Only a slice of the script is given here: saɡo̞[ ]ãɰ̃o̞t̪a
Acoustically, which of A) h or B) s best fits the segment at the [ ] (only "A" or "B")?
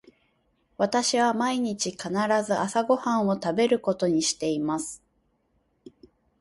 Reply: A